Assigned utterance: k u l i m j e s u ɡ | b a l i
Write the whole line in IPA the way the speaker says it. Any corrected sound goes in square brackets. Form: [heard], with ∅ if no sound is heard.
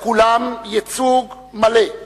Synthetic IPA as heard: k u l [a] m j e [t͡s] u ɡ | [m] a l [e]